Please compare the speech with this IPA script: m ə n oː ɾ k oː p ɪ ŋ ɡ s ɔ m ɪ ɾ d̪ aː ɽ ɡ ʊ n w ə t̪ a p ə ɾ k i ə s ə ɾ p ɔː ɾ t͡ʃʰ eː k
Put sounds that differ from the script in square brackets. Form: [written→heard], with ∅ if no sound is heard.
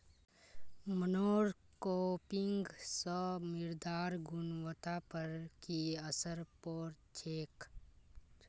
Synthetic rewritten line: m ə n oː ɾ k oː p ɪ ŋ ɡ s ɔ m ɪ ɾ d̪ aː [ɽ→ɾ] ɡ ʊ n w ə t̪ a p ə ɾ k i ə s ə ɾ p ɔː ɾ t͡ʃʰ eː k